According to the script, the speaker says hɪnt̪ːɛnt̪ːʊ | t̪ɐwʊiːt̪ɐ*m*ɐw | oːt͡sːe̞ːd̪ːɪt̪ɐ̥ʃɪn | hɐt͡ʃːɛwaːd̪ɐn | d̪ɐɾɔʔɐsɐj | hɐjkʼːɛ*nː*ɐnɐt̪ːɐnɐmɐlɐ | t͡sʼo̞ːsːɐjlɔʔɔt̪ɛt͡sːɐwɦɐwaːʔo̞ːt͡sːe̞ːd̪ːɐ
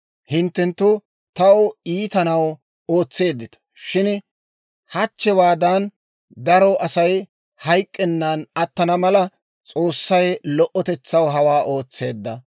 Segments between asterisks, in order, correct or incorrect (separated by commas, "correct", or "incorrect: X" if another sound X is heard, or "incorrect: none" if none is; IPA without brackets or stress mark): incorrect: n, correct